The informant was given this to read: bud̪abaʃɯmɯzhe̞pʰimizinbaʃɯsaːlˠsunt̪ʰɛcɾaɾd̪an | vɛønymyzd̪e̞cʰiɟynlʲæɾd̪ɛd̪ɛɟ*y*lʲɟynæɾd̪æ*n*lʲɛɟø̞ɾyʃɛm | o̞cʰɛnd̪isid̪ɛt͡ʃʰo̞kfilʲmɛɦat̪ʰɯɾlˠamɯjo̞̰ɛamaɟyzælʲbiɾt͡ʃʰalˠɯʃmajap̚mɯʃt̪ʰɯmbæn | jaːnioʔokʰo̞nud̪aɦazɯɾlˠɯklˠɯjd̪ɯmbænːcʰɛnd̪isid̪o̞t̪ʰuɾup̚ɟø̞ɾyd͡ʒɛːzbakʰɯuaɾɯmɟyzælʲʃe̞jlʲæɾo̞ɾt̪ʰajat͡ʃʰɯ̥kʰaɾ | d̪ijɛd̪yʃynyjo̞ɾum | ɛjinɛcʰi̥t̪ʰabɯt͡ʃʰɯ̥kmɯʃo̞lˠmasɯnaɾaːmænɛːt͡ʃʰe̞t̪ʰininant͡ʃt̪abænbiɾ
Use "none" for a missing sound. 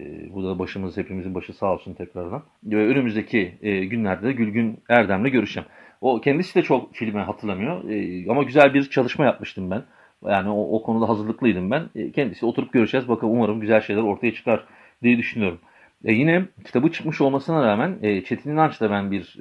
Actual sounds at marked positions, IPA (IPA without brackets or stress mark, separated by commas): y, m